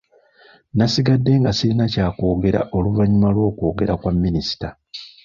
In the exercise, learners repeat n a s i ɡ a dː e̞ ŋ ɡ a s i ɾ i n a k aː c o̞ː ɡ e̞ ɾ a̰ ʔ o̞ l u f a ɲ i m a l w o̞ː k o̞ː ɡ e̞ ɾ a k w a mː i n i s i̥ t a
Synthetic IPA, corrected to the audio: n a s i ɡ a dː e̞ ŋ ɡ a s i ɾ i n a c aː k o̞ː ɡ e̞ ɾ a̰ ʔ o̞ l u v a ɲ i m a l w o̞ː k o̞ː ɡ e̞ ɾ a k w a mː i n i s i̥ t a